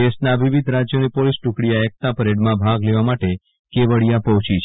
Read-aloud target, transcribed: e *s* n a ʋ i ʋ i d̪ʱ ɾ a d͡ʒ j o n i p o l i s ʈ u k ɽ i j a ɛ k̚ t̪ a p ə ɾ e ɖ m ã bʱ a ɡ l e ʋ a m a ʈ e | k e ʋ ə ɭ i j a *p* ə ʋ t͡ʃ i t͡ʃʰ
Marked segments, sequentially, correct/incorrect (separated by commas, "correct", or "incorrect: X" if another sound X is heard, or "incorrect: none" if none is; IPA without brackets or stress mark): correct, correct